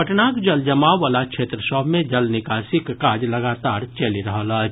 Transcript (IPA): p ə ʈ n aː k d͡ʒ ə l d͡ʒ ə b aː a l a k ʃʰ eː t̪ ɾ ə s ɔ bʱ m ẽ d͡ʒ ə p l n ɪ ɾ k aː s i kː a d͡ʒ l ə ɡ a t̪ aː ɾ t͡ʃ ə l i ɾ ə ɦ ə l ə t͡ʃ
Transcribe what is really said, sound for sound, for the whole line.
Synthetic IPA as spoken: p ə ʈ n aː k d͡ʒ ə l d͡ʒ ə m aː a l a k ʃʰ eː t̪ ɾ ə s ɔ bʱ m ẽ d͡ʒ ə l n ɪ k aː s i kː a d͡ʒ l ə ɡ a t̪ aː ɾ t͡ʃ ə l i ɾ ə ɦ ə l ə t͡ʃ